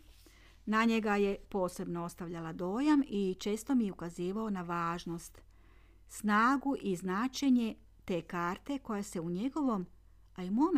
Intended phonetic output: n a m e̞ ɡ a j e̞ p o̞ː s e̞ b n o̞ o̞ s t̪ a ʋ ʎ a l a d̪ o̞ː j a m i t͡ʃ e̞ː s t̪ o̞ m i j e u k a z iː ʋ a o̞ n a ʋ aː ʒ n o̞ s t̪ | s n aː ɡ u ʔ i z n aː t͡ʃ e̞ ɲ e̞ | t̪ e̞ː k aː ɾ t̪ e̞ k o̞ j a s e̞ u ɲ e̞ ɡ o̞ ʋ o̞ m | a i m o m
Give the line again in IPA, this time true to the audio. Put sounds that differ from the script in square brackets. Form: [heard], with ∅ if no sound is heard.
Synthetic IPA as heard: n a [ɲ] e̞ ɡ a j e̞ p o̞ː s e̞ b n o̞ o̞ s t̪ a ʋ ʎ a l a d̪ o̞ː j a m i t͡ʃ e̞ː s t̪ o̞ m i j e u k a z iː ʋ a o̞ n a ʋ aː ʒ n o̞ s t̪ | s n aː ɡ u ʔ i z n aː t͡ʃ e̞ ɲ e̞ | t̪ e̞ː k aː ɾ t̪ e̞ k o̞ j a s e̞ u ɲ e̞ ɡ o̞ ʋ o̞ m | a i m o m